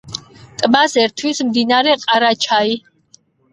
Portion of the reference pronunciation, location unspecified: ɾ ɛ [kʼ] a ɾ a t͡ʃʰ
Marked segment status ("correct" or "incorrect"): incorrect